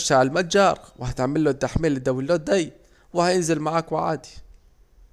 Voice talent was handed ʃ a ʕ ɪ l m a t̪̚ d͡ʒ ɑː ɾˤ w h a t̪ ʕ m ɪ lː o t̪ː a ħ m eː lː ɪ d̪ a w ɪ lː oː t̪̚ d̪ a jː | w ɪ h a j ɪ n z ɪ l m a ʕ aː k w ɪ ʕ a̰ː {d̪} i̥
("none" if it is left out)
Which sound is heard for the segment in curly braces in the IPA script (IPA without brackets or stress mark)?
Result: d̪